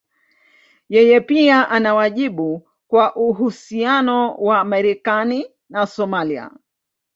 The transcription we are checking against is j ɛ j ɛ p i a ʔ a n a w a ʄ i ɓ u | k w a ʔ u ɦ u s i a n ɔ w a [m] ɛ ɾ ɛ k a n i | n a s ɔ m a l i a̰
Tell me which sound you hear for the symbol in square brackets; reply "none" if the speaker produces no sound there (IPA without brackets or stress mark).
m